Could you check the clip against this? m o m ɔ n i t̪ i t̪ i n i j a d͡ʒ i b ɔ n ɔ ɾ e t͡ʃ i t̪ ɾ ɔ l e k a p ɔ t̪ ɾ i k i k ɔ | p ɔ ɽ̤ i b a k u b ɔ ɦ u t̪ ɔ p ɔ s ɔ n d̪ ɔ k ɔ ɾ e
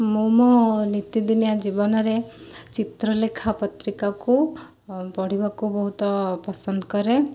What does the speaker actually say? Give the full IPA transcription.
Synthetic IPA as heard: m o m ɔ n i t̪ i d̪ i n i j a d͡ʒ i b ɔ n ɔ ɾ e t͡ʃ i t̪ ɾ ɔ l e kʰ a p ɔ t̪ ɾ i k a k u | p ɔ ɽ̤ i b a k u b ɔ ɦ u t̪ ɔ p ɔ s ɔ n d̪ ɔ k ɔ ɾ e